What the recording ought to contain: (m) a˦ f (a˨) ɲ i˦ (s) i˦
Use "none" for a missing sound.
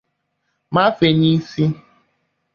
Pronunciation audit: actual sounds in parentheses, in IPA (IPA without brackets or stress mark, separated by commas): m, e˨, s